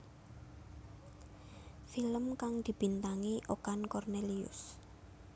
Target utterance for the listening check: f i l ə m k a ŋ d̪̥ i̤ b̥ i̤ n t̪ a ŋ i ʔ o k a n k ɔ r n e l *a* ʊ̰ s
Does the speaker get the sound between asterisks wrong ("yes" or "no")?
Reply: yes